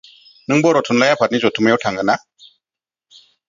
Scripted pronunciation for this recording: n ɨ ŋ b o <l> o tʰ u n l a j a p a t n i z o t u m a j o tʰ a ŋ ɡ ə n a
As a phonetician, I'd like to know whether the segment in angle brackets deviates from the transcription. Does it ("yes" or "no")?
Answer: yes